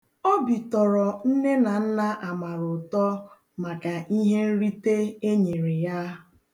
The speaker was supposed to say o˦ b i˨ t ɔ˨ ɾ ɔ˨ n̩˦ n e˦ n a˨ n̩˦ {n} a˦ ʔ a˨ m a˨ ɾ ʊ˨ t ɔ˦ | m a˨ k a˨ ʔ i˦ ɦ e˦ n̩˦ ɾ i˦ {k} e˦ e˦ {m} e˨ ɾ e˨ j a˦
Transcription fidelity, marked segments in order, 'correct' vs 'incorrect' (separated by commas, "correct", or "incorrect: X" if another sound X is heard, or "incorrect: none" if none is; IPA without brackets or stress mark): correct, incorrect: t, incorrect: ɲ